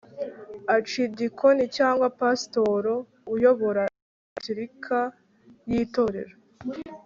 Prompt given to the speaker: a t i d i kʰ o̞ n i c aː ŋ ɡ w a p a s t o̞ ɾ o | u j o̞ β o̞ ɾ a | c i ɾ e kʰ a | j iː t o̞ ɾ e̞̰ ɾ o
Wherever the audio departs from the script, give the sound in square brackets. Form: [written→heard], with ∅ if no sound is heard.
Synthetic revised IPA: a [t→t͡ʃ] i d i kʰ o̞ n i c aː ŋ ɡ w a p a s t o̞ ɾ o | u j o̞ β o̞ ɾ a | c i ɾ [e→i] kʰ a | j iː t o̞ ɾ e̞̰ ɾ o